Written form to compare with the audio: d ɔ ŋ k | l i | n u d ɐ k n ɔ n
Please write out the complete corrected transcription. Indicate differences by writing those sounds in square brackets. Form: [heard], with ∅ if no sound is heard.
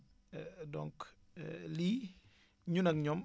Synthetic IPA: d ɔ ŋ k | l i | [ɲ] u [n] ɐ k [ɲ] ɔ [m]